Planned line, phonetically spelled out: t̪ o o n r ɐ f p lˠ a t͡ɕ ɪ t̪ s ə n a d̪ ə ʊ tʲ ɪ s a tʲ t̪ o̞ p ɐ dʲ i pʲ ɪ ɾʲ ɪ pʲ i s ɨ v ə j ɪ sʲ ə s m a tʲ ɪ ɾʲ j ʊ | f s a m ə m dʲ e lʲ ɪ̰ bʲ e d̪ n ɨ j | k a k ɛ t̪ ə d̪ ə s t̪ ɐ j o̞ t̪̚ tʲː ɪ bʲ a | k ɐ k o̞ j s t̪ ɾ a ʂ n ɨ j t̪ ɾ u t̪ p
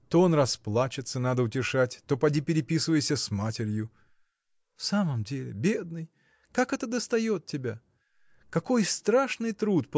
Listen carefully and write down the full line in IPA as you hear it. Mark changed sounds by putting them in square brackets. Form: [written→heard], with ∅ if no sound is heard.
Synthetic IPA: t̪ o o n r ɐ [f→s] p lˠ a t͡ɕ ɪ t̪ s ə n a d̪ ə ʊ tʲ ɪ [s→ʂ] a tʲ t̪ o̞ p ɐ dʲ i pʲ ɪ ɾʲ ɪ pʲ i s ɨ v ə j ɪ sʲ ə s m a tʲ ɪ ɾʲ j ʊ | f s a m ə m dʲ e lʲ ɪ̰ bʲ e d̪ n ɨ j | k a k ɛ t̪ ə d̪ ə s t̪ ɐ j o̞ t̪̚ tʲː ɪ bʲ a | k ɐ k o̞ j s t̪ ɾ a ʂ n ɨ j t̪ ɾ u t̪ p